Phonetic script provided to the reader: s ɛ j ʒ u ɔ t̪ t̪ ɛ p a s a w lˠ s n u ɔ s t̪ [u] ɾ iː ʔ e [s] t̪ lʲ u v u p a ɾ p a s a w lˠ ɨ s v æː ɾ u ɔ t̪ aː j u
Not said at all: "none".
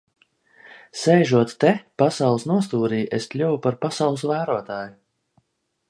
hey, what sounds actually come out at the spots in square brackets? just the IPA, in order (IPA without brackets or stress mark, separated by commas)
uː, s